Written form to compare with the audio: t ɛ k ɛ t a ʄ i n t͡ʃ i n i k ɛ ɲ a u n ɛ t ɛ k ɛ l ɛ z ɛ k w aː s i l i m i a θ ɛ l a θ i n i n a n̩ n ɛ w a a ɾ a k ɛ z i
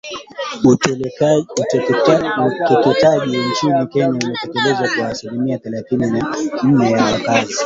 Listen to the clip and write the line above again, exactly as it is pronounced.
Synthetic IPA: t ɛ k ɛ t a ʄ i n t͡ʃ i n i k ɛ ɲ a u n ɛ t ɛ k ɛ l ɛ z a k w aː s i l i m i a θ ɛ l a θ i n i n a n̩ n ɛ w a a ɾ a k a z i